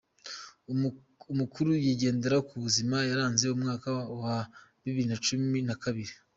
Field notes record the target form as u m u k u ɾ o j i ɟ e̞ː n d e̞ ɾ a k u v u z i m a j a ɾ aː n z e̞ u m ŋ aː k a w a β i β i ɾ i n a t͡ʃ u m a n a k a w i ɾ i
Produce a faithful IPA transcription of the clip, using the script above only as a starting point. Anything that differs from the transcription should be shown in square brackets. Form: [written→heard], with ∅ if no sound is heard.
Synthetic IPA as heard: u m u k u ɾ [o→u] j i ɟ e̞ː n d e̞ ɾ a k u [v→β] u z i m a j a ɾ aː n z e̞ u m ŋ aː k a w a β i β i ɾ i n a t͡ʃ u m [a→i] n a k a [w→β] i ɾ i